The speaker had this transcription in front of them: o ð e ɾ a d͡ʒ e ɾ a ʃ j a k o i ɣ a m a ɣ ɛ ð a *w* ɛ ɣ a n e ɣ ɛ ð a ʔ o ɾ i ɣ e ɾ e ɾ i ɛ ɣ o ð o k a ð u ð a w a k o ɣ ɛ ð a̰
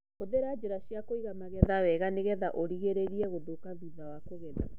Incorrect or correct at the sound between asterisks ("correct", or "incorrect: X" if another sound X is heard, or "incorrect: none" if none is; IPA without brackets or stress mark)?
correct